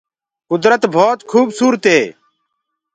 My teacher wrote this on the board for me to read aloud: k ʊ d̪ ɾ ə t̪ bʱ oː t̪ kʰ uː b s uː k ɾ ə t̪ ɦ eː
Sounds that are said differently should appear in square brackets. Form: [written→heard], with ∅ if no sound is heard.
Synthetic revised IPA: k ʊ d̪ ɾ ə t̪ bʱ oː t̪ kʰ uː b s uː [k→∅] ɾ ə t̪ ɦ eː